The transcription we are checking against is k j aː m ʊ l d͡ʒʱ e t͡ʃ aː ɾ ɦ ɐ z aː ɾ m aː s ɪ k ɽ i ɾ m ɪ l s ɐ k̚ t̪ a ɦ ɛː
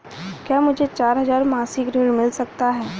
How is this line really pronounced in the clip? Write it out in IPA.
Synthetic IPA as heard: k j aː m ʊ d͡ʒʱ e t͡ʃ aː ɾ ɦ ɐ z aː ɾ m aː s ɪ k ɾ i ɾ m ɪ l s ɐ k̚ t̪ a ɦ ɛː